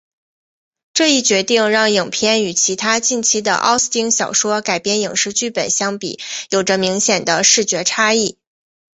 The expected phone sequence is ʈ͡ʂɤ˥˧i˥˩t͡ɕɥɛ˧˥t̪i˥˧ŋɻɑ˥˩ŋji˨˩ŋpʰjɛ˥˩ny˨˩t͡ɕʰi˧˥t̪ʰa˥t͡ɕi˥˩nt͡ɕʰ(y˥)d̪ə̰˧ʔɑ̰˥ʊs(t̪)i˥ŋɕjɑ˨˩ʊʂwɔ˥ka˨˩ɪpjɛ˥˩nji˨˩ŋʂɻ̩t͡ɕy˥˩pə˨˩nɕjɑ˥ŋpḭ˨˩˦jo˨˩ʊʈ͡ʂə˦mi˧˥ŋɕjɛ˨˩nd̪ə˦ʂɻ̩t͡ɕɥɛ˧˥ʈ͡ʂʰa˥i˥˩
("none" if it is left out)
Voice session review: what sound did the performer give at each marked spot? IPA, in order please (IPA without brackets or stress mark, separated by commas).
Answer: i˥, t̪